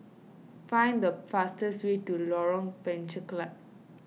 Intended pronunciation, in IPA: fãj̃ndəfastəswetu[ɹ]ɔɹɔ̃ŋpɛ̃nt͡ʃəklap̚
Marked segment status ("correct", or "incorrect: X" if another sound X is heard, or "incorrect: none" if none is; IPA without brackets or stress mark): incorrect: l